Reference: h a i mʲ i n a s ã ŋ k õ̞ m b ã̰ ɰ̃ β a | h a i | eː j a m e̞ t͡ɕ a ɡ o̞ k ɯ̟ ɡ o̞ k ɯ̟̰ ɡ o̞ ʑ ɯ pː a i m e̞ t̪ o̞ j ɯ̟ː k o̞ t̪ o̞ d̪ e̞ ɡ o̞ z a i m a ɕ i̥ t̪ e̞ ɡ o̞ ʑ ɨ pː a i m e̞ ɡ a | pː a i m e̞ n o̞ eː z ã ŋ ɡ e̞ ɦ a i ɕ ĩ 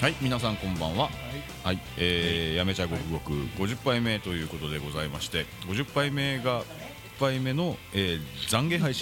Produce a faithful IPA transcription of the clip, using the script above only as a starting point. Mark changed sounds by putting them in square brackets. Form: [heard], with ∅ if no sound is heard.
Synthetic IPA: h a i mʲ i n a s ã ŋ k õ̞ m b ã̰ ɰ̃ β a | h a i | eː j a m e̞ t͡ɕ a ɡ o̞ k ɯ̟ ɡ o̞ k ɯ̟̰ ɡ o̞ ʑ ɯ pː a i m e̞ t̪ o̞ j ɯ̟ː k o̞ t̪ o̞ d̪ e̞ ɡ o̞ z a i m a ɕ i̥ t̪ e̞ ɡ o̞ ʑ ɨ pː a i m e̞ ɡ a | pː a i m e̞ n o̞ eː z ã ŋ ɡ e̞ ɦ a i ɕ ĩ